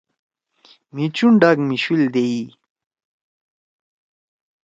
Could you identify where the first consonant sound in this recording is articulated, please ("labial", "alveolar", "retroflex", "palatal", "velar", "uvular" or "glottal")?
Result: labial